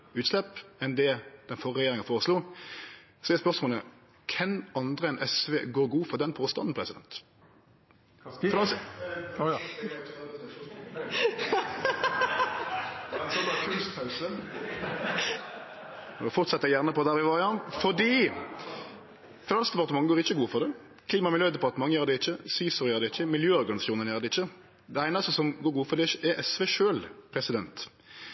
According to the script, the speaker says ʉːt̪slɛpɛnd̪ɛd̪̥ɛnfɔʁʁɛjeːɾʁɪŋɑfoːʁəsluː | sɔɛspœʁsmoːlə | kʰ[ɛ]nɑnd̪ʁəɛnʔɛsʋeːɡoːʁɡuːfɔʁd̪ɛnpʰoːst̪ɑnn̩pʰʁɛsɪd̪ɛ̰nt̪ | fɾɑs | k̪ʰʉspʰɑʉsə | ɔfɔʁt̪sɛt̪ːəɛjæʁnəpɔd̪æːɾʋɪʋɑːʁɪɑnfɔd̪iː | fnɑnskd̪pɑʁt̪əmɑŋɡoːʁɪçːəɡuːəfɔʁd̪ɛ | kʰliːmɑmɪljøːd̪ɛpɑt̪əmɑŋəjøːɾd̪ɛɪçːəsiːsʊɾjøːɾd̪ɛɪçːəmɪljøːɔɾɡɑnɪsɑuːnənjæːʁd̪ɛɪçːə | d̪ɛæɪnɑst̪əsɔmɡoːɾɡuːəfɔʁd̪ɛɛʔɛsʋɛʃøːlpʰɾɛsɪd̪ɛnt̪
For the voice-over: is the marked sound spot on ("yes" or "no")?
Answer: yes